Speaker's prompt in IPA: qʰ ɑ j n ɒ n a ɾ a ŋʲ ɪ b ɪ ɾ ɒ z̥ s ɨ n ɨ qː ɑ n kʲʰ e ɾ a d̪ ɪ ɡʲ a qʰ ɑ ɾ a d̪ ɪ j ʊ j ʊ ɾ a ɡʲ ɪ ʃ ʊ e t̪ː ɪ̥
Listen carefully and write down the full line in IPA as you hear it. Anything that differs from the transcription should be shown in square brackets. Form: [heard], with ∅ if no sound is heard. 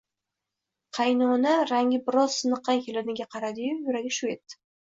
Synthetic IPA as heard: qʰ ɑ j n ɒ n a ɾ a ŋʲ ɪ b ɪ ɾ ɒ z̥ s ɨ n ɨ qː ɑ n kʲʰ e [l] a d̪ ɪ ɡʲ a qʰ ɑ ɾ a d̪ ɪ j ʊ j ʊ ɾ a ɡʲ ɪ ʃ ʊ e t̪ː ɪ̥